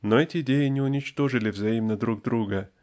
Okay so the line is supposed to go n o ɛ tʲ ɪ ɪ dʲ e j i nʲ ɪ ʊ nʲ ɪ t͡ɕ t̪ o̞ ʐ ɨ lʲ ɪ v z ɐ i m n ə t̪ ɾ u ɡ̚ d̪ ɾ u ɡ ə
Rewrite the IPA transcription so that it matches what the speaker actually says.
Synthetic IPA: n o ɛ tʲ ɪ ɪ dʲ e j ɪ nʲ ɪ ʊ nʲ ɪ t͡ɕ t̪ o̞ ʐ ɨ lʲ ɪ v z ɐ i m n ə d̪ ɾ u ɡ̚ d̪ ɾ u ɡ ə

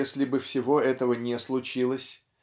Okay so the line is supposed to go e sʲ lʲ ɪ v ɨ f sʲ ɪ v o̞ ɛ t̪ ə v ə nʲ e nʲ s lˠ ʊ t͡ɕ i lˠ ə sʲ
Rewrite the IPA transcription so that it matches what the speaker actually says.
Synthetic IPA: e sʲ lʲ ɪ b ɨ f sʲ ɪ v o̞ ɛ t̪ ə v ə nʲ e s lˠ ʊ t͡ɕ i lˠ ə sʲ

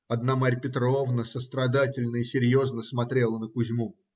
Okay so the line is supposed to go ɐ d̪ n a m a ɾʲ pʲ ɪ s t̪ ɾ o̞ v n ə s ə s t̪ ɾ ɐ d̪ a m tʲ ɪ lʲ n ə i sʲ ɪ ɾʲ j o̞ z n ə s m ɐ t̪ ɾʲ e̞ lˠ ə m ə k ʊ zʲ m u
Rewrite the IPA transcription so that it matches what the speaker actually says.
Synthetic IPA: ɐ d̪ n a m a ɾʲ pʲ ɪ t̪ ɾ o̞ v n ə s ə s t̪ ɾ ɐ d̪ a tʲ ɪ lʲ n ə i sʲ ɪ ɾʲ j o̞ z n ə s m ɐ t̪ ɾʲ e̞ lˠ ə n ə k ʊ zʲ m u

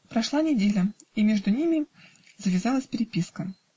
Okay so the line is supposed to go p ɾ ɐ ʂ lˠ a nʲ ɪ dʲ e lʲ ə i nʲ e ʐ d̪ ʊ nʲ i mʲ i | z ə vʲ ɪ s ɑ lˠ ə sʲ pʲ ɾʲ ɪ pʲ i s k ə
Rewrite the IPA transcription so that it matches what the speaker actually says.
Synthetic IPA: p ɾ ɐ ʂ lˠ a nʲ ɪ dʲ e lʲ ə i mʲ e ʐ d̪ ʊ nʲ i mʲ ɪ | z ə vʲ ɪ z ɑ lˠ ə sʲ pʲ ɾʲ ɪ pʲ i s k ə

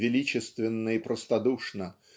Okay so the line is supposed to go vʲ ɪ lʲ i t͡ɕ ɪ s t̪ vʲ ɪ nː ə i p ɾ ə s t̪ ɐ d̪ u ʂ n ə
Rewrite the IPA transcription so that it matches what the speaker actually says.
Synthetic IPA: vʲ ɪ lʲ i t͡ɕ ɪ s t̪ vʲ ɪ nː ə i p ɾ ə s t̪ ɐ d̪ u ʂ n ə

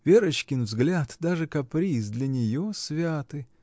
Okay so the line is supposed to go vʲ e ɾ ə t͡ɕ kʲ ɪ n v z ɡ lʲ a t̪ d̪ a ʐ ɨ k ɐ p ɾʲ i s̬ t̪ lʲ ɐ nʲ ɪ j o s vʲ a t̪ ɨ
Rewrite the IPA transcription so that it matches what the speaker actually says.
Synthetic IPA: vʲ e ɾ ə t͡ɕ kʲ ɪ n v z ɡ lʲ a t̪ d̪ a ʐ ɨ k ɐ p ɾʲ i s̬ d̪ lʲ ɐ nʲ ɪ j o s vʲ a t̪ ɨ

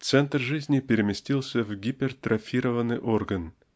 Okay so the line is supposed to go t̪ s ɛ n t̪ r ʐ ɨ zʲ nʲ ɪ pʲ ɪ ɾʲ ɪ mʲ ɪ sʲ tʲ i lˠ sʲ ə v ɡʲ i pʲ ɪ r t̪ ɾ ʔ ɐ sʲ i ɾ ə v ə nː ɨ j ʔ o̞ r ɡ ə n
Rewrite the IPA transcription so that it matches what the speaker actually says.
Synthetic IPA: t̪ s ɛ n t̪ r ʐ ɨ zʲ nʲ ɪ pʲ ɪ ɾʲ ɪ mʲ ɪ sʲ tʲ i lˠ sʲ ə v ɡʲ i pʲ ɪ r t̪ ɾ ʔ ɐ fʲ i ɾ ə v ə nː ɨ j ʔ o̞ r ɡ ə n

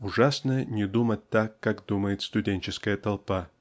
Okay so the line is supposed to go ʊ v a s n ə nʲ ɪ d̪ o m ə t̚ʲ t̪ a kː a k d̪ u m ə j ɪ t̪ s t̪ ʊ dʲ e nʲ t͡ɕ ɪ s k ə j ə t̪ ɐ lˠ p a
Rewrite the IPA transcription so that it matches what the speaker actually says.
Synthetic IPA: ʊ ʐ a s n ə nʲ ɪ d̪ u m ə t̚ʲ t̪ a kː a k d̪ u m ə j ɪ t̪ s t̪ ʊ dʲ e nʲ t͡ɕ ɪ s k ə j ə t̪ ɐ lˠ p a

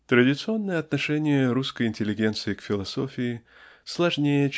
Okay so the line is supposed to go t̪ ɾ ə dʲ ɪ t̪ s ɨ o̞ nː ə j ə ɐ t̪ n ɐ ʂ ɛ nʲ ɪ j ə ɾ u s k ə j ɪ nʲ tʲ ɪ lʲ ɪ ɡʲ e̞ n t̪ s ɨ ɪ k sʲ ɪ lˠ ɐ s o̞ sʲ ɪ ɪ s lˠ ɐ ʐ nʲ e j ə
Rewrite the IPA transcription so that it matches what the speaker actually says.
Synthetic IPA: t̪ ɾ ə dʲ ɪ t̪ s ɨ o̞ nː ə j ə ɐ t̪ n ɐ ʂ ɛ nʲ ɪ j ə ɾ u s k ə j ɪ nʲ tʲ ɪ lʲ ɪ ɡʲ e̞ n t̪ s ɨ ɪ k fʲ ɪ lˠ ɐ s o̞ fʲ ɪ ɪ s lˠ ɐ ʐ nʲ e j ə

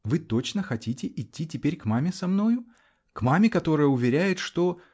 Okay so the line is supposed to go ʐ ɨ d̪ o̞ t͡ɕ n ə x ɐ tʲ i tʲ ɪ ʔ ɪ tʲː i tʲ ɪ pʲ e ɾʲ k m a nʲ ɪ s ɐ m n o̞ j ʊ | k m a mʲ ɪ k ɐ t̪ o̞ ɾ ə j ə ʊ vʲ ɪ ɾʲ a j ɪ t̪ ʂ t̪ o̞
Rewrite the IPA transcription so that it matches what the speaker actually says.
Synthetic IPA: v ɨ t̪ o̞ t͡ɕ n ə x ɐ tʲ i tʲ ɪ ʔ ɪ tʲː i tʲ ɪ pʲ e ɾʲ k m a mʲ ɪ s ɐ m n o̞ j ʊ | k m a mʲ ɪ k ɐ t̪ o̞ ɾ ə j ə ʊ vʲ ɪ ɾʲ æ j ɪ t̪ ʂ t̪ o̞

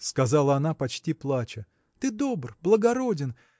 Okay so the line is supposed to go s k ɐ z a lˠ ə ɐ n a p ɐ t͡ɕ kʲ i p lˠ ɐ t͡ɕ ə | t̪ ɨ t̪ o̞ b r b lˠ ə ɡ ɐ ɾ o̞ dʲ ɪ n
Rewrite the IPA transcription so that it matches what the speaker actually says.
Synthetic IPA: s k ɐ z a lˠ ə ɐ n a p ɐ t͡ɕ tʲ i p lˠ a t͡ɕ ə | t̪ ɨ d̪ o̞ b r b lˠ ə ɡ ɐ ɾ o̞ dʲ ɪ n

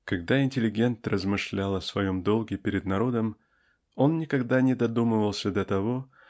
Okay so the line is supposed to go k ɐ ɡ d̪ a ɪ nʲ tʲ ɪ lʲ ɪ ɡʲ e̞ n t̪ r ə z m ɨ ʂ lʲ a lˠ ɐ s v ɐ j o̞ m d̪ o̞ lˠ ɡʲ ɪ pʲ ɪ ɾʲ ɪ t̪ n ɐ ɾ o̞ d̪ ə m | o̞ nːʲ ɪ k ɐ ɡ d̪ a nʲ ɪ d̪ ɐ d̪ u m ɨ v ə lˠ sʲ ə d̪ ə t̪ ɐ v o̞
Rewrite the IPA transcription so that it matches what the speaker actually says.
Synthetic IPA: k ɐ ɡ d̪ a ɪ nʲ tʲ ɪ lʲ ɪ ɡʲ e̞ n t̪ r ə z m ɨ ʂ lʲ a lˠ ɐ s v ɐ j o̞ m d̪ o̞ lˠ ɡʲ ɪ pʲ ɪ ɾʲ ɪ d̪ n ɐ ɾ o̞ d̪ ə m | o̞ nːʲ ɪ k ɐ ɡ d̪ a nʲ ɪ d̪ ɐ d̪ u m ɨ v ə lˠ sʲ ə d̪ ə t̪ ɐ v o̞

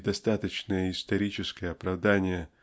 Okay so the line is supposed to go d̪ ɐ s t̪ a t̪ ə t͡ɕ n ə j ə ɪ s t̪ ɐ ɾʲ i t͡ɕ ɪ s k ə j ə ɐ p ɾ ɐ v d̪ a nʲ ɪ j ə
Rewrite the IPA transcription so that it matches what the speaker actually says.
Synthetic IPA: d̪ ɐ s t̪ a t̪ ə t͡ɕ n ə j ə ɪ s t̪ ɐ ɾʲ i t͡ɕ ɪ s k ə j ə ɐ p ɾ ɐ v d̪ a nʲ ɪ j ə

